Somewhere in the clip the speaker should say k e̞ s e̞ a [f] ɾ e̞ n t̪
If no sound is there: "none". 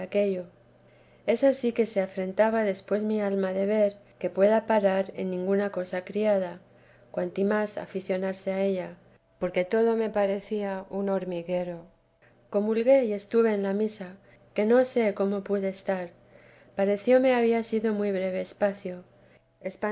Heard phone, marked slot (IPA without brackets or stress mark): f